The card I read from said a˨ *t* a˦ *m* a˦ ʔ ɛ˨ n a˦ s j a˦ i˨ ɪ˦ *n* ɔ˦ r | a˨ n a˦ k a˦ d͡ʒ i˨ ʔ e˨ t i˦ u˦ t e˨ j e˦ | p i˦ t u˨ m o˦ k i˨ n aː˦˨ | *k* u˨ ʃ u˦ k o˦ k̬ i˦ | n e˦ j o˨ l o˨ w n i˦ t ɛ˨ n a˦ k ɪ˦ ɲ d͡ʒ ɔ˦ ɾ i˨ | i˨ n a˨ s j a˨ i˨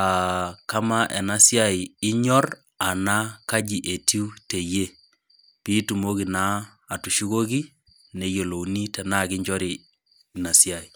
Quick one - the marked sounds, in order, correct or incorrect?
incorrect, correct, incorrect, incorrect

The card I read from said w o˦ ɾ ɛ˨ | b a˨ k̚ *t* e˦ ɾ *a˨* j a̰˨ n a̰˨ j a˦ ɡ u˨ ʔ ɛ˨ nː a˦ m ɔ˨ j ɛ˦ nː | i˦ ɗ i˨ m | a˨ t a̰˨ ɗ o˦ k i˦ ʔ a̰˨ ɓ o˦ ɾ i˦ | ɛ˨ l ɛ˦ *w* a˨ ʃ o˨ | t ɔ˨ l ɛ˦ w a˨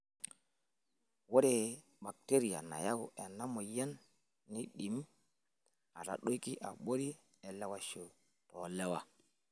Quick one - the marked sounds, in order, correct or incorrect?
correct, incorrect, correct

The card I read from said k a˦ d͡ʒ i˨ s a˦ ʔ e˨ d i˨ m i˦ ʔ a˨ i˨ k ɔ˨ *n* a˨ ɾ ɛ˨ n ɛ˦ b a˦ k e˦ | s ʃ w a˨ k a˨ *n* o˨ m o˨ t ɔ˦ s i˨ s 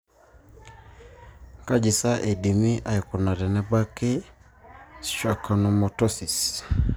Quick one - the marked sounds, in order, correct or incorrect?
correct, correct

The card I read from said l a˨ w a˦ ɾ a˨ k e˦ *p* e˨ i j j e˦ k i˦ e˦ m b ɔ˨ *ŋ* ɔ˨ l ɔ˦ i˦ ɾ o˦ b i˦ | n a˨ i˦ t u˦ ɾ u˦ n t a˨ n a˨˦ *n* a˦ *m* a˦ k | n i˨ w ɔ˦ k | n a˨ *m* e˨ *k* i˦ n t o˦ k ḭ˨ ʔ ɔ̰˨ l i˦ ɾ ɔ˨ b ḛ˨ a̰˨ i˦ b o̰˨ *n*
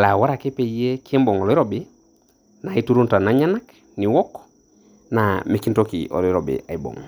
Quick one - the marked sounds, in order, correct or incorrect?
correct, correct, incorrect, incorrect, correct, correct, incorrect

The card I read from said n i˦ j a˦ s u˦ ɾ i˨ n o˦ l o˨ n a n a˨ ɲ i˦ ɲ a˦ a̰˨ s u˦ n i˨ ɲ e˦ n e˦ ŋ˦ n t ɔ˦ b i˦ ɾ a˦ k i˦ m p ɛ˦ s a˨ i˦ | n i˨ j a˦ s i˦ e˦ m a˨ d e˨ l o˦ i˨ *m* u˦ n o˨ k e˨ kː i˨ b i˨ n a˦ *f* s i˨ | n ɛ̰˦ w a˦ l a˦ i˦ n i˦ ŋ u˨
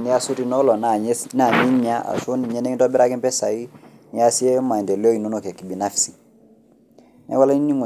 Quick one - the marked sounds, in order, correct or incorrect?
incorrect, correct

